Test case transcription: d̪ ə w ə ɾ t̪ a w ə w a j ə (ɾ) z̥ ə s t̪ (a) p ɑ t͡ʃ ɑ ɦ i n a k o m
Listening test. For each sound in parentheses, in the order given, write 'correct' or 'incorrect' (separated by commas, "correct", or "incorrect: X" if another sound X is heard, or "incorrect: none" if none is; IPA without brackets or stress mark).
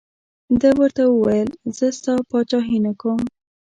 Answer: incorrect: l, incorrect: ɑ